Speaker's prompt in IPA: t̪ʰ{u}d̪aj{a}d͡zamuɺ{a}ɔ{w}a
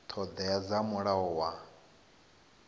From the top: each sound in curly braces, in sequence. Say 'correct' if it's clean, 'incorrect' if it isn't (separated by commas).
incorrect, correct, correct, correct